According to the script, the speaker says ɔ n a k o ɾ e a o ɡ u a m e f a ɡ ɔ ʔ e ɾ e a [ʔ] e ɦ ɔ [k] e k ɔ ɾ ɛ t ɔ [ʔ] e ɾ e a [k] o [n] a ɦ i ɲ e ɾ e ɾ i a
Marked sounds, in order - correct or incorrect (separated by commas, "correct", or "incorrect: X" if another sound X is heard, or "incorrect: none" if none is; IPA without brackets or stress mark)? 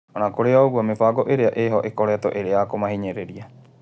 correct, incorrect: ʔ, correct, correct, incorrect: m